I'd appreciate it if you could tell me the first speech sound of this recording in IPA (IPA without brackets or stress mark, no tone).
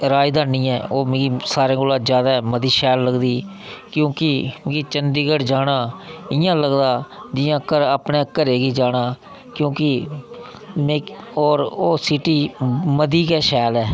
ɾ